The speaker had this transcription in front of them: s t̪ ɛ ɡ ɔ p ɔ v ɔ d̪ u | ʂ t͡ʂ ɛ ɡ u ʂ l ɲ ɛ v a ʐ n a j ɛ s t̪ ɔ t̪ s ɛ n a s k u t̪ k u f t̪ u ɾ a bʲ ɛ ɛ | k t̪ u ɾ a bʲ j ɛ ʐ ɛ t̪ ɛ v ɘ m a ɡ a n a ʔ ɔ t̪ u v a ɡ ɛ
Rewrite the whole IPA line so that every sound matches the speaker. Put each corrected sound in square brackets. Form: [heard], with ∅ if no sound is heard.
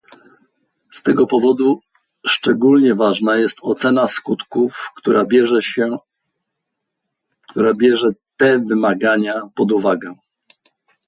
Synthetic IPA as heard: s t̪ ɛ ɡ ɔ p ɔ v ɔ d̪ u | ʂ t͡ʂ ɛ ɡ u [∅] l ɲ ɛ v a ʐ n a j ɛ s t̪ ɔ t̪ s ɛ n a s k u t̪ k u f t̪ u ɾ a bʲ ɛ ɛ | k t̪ u ɾ a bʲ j ɛ ʐ ɛ t̪ ɛ v ɘ m a ɡ a [ɲ] a [p] ɔ [d̪] u v a ɡ ɛ